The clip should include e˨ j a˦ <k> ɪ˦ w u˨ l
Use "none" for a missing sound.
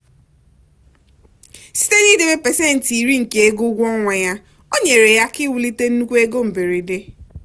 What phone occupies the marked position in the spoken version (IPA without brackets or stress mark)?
k